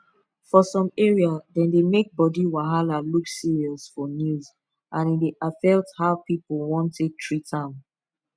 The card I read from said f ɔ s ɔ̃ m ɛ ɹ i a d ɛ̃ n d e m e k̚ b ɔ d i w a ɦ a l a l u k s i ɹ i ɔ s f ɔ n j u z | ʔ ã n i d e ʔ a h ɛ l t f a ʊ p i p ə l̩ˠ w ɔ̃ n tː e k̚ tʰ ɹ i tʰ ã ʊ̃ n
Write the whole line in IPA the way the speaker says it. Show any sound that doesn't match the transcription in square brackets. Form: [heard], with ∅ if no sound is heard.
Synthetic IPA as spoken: f ɔ s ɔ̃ m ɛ ɹ i a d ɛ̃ n d e m e k̚ b ɔ d i w a ɦ a l a l u k s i ɹ i ɔ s f ɔ n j u z | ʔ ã n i d e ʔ a [f] ɛ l t [h] a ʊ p i p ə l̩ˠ w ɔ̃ n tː e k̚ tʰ ɹ i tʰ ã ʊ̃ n